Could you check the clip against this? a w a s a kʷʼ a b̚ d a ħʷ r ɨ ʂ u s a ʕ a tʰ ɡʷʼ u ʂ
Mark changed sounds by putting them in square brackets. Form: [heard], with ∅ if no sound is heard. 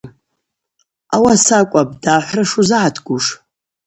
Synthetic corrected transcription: a w a s a kʷʼ a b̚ d a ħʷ r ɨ ʂ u [z] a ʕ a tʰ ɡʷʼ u ʂ

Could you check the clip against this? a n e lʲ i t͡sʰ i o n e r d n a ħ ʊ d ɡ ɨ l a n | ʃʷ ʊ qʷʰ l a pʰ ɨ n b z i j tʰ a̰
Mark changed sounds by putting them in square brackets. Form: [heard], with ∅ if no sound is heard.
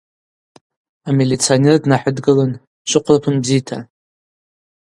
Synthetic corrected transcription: a [m] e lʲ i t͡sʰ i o n e r d n a ħ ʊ d ɡ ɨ l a n | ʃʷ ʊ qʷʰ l a pʰ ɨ n b z i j tʰ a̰

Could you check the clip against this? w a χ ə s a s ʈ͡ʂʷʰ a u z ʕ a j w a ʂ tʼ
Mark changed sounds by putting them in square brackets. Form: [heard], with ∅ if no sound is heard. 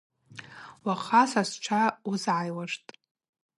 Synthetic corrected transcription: w a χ [a] s a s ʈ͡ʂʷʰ a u z ʕ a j w a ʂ tʼ

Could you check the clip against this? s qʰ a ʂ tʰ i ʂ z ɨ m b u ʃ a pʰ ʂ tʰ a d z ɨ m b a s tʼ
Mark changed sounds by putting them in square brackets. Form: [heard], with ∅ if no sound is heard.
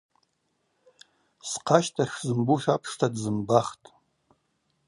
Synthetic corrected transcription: s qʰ a [ʃ] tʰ [a] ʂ z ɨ m b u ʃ a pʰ ʂ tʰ a d z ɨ m b a [χ] tʼ

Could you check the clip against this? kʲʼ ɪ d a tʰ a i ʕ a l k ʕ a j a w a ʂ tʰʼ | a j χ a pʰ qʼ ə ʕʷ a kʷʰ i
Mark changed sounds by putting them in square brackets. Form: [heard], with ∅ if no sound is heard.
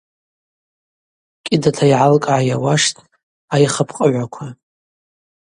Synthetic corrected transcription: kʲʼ ɪ d a tʰ a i ʕ a l [kʼ] ʕ a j a w a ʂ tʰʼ | a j χ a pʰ qʼ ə ʕʷ a kʷʰ [a]

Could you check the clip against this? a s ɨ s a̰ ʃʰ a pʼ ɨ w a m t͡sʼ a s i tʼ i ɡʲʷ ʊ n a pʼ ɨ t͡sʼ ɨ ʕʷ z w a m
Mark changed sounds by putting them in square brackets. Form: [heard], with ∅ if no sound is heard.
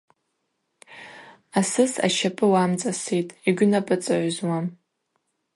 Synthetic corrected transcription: a s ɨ s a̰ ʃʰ a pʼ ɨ w a m t͡sʼ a s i tʼ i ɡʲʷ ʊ n a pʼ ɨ t͡sʼ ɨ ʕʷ z w a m

